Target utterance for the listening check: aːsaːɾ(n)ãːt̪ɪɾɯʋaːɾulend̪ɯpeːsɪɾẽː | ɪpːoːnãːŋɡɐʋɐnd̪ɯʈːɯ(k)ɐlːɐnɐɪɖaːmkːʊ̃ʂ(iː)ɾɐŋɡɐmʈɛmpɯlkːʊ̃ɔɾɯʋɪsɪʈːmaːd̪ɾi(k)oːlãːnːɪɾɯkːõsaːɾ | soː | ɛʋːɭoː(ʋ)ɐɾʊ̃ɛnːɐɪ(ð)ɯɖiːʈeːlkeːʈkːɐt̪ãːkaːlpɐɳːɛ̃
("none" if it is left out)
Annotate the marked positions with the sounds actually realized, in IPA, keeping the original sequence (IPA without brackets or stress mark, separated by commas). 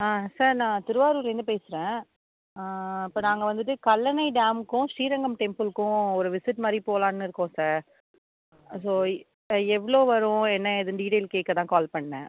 n, k, iː, p, ʋ, ð